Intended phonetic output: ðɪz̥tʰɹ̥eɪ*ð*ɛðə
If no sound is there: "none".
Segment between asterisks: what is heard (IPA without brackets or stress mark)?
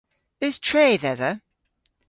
ð